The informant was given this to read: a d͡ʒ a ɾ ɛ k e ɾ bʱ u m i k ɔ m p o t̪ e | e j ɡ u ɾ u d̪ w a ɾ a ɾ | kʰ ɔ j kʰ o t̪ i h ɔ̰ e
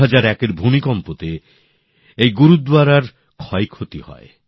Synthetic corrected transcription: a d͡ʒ a ɾ ɛ k e ɾ bʱ u m i k ɔ m p o t̪ e | e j ɡ u ɾ u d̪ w a ɾ a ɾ | kʰ ɔ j kʰ o t̪ i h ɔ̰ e